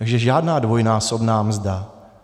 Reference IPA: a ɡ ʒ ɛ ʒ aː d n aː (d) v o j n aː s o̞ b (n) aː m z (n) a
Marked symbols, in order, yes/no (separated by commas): yes, yes, no